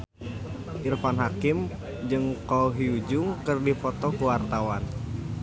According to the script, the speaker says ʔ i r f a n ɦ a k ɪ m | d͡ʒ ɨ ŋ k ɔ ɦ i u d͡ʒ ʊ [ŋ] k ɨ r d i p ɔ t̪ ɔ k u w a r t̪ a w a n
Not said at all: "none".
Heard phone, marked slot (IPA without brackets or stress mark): ŋ